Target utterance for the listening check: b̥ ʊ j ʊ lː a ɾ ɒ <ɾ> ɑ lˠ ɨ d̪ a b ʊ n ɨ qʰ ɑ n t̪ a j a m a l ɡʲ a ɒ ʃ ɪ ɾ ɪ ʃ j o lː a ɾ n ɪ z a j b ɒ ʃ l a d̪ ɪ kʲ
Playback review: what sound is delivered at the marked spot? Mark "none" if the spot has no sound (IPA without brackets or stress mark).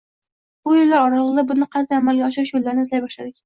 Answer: ɾ